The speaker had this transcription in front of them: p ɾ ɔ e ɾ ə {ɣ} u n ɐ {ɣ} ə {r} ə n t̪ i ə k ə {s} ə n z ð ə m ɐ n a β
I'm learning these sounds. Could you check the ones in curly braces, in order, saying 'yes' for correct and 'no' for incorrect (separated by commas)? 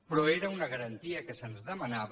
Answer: no, yes, no, yes